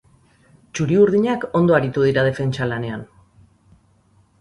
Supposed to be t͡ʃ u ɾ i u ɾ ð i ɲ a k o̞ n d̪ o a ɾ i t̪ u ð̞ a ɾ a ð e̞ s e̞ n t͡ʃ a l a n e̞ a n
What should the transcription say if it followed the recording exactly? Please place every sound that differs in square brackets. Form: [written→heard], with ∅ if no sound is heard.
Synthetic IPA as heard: t͡ʃ u ɾ i u ɾ ð i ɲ a k o̞ n d̪ o a ɾ i t̪ u ð̞ [a→i] ɾ a ð e̞ [s→f] e̞ n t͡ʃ a l a n e̞ a n